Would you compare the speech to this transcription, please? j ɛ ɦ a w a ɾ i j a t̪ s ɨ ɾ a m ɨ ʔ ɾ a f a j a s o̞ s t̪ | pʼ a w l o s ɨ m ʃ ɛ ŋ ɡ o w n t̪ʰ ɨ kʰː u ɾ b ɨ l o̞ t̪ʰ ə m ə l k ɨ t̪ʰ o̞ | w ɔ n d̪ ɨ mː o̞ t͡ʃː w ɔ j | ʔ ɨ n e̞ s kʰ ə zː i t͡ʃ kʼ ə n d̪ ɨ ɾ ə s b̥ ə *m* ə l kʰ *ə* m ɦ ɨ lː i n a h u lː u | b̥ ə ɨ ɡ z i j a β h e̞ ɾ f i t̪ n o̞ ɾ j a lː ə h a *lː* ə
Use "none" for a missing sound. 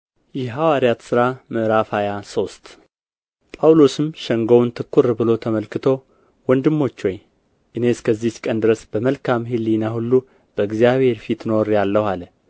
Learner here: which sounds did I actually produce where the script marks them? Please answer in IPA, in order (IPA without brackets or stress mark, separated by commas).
m, a, l